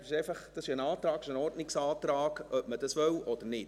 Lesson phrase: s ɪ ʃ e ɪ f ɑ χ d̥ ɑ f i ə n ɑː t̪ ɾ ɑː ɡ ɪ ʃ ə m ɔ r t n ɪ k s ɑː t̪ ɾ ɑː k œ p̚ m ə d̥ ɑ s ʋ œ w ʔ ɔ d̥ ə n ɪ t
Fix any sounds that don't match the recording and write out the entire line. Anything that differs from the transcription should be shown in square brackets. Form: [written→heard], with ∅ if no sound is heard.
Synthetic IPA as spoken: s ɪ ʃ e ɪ f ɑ χ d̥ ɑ [f→s] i ə n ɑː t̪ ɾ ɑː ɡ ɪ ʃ ə [m→n] ɔ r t n ɪ k s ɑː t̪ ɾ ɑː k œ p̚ m ə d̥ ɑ s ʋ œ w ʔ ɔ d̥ ə n ɪ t